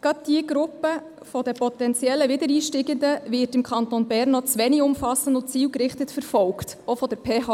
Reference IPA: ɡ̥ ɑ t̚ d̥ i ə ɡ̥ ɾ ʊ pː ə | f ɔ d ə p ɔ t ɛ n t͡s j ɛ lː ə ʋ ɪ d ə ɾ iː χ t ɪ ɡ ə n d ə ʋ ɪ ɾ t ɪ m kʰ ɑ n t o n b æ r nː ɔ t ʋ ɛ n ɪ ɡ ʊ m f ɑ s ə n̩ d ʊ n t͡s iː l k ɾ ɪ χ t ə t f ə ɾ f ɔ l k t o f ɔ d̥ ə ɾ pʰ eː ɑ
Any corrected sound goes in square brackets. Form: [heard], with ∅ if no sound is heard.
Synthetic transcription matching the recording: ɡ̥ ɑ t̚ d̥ i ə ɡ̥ ɾ ʊ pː ə | f ɔ d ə p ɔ t ɛ n t͡s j ɛ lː ə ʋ ɪ d ə ɾ iː [ʃ] t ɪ ɡ ə n d ə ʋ ɪ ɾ t ɪ m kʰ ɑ n t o n b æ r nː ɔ [t͡s] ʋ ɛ n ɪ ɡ ʊ m f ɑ s ə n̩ d ʊ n t͡s iː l k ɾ ɪ χ t ə t f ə ɾ f ɔ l k t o f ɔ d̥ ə ɾ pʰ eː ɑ